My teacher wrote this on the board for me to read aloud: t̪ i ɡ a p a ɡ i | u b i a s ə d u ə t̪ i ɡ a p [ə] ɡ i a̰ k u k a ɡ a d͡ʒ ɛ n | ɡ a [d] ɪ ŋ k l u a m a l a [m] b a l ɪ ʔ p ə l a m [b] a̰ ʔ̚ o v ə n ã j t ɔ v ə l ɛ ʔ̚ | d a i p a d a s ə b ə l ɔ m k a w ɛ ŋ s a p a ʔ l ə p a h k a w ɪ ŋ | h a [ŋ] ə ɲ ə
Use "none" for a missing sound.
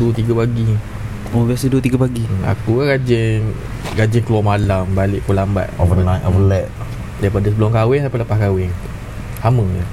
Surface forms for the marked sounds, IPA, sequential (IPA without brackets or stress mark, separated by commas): a, d͡ʒ, m, b, m